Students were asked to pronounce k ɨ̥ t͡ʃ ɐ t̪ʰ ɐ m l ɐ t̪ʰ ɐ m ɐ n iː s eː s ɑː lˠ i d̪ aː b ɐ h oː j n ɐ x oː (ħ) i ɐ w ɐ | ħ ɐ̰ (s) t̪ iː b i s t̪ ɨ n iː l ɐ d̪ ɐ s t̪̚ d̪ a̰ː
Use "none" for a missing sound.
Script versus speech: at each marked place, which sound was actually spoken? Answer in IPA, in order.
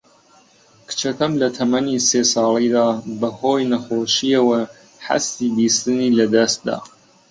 ʃ, s

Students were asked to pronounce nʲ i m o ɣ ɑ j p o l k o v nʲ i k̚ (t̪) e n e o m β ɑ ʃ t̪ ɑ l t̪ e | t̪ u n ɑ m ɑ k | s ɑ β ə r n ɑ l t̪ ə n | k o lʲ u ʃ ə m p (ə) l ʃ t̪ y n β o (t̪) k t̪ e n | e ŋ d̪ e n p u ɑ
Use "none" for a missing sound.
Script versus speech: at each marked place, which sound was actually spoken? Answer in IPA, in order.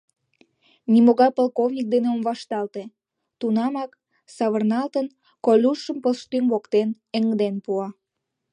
d̪, ə, none

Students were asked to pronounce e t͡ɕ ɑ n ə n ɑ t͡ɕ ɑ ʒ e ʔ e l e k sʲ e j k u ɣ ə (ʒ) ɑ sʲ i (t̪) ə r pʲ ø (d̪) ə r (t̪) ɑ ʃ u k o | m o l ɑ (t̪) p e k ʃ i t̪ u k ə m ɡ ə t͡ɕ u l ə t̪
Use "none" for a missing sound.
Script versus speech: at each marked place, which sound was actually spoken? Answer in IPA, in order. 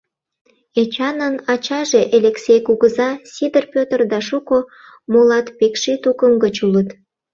z, d̪, t̪, d̪, t̪

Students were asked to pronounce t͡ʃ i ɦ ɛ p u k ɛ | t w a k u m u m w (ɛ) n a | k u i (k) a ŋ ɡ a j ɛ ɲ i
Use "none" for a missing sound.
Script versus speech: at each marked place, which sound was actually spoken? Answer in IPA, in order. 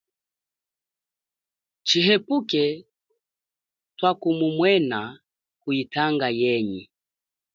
ɛ, t

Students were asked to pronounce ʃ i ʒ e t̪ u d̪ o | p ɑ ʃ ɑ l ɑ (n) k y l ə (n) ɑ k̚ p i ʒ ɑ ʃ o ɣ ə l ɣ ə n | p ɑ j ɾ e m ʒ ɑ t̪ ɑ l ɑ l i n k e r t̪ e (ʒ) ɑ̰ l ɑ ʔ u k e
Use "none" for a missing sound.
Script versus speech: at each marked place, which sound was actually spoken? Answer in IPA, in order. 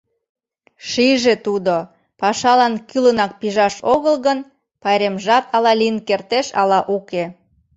n, n, ʃ

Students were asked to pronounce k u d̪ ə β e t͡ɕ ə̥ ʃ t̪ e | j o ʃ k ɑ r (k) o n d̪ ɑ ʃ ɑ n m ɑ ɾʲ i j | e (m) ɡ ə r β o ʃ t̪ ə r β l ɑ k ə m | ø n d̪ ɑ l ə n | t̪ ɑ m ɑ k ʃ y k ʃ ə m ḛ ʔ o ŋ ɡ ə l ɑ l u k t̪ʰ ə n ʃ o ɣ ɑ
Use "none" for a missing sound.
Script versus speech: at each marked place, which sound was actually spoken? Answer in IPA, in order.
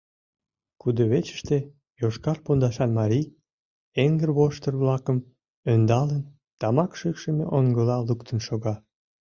p, ŋ

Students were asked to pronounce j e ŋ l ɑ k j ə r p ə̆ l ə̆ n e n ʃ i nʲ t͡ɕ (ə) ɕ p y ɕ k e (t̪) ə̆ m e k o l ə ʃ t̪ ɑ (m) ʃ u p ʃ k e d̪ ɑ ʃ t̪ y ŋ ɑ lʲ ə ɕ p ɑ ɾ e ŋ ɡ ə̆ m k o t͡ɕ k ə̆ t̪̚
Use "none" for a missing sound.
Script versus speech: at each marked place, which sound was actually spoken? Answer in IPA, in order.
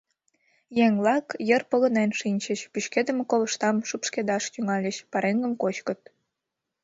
ə, d̪, m

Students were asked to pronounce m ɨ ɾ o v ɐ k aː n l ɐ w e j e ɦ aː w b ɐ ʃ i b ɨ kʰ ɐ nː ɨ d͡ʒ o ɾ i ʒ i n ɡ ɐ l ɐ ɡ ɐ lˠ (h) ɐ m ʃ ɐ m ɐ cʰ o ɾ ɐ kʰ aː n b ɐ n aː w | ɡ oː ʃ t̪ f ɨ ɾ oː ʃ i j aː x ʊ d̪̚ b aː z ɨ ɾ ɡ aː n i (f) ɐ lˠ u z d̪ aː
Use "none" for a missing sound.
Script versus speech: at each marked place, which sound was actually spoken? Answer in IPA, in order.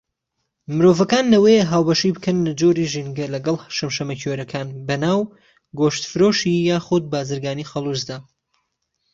ʃ, x

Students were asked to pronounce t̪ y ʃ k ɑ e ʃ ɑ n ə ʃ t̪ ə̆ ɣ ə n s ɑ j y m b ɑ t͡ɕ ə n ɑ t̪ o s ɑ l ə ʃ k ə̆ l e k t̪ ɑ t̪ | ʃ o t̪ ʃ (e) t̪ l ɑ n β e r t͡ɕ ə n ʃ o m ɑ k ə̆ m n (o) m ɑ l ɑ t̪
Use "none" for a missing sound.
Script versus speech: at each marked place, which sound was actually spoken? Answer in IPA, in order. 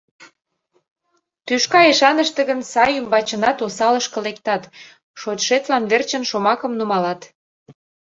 e, u

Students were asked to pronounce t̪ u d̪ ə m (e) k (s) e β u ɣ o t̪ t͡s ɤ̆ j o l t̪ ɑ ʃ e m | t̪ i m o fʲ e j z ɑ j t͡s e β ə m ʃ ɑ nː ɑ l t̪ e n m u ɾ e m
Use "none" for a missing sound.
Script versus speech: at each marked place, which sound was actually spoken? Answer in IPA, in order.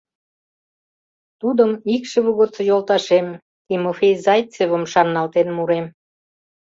i, ʃ

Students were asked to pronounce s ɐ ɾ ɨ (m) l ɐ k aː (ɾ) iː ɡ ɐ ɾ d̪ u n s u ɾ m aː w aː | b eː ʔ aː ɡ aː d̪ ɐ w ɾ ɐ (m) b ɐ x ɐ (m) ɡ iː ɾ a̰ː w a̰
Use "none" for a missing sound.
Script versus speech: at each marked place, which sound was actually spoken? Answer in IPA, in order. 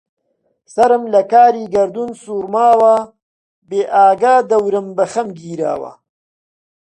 m, ɾ, m, m

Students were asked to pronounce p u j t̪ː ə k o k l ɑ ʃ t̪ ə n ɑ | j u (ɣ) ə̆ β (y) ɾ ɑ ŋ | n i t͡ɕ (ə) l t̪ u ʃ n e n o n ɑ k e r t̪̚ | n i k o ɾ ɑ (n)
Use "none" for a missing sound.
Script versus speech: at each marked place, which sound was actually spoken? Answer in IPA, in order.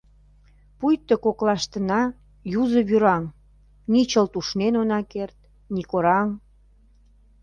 z, y, ə, ŋ

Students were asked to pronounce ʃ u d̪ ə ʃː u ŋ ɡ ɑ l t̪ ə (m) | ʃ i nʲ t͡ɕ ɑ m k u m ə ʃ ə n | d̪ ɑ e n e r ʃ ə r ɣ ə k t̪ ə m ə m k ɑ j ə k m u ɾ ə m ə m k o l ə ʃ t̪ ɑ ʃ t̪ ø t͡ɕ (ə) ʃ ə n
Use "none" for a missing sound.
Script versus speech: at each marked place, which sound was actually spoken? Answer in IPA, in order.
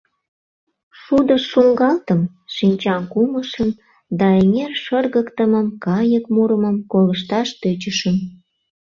m, ə

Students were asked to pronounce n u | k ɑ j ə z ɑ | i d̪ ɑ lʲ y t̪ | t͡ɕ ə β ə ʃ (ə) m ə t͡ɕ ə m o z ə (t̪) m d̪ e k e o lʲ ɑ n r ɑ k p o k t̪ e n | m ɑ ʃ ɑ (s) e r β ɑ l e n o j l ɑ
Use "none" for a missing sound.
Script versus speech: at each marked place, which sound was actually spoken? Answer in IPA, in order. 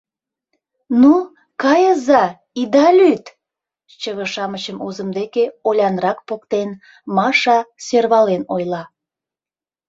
ɑ, none, s

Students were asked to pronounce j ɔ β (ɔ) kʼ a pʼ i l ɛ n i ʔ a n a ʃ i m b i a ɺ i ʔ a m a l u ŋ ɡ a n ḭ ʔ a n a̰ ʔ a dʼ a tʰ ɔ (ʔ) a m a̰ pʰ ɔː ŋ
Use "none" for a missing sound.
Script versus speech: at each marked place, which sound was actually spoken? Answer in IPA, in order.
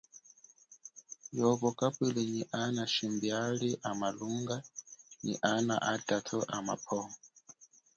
ɔ, ʔ

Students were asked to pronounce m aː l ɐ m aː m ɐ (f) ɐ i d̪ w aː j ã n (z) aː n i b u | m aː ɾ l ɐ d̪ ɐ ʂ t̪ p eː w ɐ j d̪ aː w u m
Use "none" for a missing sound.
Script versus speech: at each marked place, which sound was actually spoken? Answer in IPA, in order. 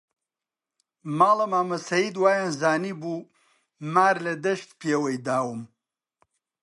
s, z

